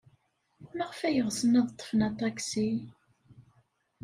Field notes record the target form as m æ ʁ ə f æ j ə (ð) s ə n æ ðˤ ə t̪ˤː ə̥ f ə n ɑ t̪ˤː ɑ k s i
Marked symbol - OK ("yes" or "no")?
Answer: no